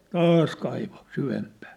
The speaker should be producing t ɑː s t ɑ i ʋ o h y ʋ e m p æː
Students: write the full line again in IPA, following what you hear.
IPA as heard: t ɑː s k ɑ i ʋ o s y ʋ e m p æː